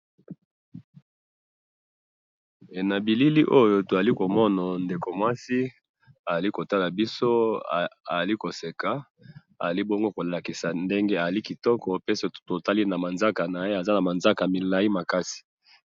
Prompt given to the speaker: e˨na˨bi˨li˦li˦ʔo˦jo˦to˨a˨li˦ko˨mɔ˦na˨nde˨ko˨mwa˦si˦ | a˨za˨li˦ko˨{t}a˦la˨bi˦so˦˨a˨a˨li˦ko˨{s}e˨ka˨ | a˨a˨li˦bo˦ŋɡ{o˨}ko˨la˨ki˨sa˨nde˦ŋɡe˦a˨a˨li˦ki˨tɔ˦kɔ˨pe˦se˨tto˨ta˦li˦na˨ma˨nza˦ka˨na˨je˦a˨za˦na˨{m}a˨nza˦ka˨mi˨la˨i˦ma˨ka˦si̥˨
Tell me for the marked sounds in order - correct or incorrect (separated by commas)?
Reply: correct, correct, incorrect, correct